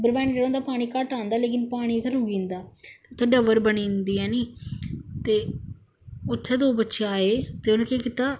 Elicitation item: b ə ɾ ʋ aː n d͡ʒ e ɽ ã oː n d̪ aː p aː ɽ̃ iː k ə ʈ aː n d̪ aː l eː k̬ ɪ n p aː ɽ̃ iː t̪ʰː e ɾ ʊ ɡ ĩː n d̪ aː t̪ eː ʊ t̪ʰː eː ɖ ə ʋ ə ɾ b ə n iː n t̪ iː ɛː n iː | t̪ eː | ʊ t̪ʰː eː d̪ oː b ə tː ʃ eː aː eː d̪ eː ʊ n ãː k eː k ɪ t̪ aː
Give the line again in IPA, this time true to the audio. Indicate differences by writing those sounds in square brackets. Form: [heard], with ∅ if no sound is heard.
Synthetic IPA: b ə ɾ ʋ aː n d͡ʒ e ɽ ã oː n d̪ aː p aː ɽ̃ iː k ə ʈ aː n d̪ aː l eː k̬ ɪ n p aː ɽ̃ iː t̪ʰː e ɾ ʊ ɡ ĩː n d̪ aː t̪ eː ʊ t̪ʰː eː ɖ ə ʋ ə ɾ b ə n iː n [d̪] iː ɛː n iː | t̪ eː | ʊ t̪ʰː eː d̪ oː b ə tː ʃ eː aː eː [t̪] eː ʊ n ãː k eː k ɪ t̪ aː